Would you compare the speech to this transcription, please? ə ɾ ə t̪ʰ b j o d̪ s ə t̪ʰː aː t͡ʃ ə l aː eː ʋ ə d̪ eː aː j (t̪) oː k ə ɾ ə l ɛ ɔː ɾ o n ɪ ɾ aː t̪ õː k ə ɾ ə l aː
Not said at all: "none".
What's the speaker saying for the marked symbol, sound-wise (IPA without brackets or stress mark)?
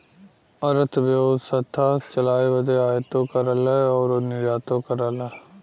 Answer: t̪